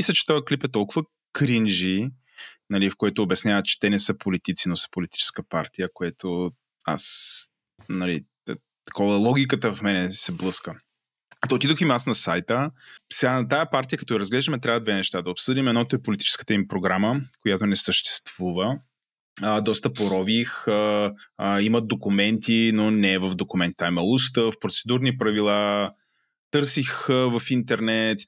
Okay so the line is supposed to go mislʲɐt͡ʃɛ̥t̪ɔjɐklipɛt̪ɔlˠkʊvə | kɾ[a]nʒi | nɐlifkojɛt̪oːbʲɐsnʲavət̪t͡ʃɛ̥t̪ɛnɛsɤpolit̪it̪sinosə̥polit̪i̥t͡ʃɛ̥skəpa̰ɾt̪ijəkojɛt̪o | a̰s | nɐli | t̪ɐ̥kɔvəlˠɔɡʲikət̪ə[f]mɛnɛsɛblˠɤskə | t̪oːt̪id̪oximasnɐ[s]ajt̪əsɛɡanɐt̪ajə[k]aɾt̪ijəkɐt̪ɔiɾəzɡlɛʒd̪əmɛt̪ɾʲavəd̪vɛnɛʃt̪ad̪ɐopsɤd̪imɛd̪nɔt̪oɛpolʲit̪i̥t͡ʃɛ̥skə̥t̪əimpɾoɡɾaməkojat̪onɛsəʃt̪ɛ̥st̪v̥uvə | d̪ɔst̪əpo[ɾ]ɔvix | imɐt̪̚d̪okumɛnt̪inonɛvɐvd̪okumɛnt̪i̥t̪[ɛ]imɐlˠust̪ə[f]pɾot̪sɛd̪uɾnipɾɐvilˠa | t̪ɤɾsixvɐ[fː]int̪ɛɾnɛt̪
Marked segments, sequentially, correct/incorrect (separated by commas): incorrect, correct, correct, incorrect, correct, incorrect, correct, incorrect